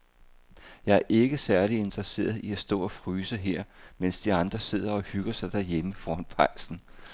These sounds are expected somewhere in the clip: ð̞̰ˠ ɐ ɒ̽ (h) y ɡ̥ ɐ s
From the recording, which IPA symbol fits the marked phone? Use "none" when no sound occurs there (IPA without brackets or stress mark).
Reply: h